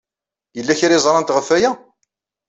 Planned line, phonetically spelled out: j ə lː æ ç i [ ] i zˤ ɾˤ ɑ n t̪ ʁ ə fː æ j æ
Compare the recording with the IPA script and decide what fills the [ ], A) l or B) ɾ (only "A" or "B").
B